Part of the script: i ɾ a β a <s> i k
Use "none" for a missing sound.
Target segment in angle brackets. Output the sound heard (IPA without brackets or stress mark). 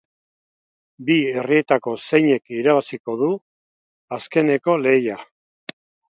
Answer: s